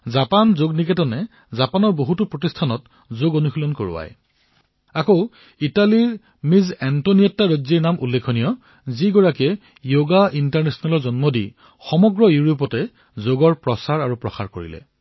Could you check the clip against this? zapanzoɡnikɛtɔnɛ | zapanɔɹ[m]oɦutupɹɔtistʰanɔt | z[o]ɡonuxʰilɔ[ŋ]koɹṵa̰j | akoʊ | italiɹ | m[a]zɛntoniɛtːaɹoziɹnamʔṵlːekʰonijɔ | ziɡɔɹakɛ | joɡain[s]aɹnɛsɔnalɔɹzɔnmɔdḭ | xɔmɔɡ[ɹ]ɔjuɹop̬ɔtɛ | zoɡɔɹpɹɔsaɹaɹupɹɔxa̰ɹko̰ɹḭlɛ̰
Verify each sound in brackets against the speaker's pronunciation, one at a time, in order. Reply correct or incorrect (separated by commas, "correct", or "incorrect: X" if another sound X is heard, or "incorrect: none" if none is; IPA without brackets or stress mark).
incorrect: b, correct, incorrect: n, incorrect: i, incorrect: t, correct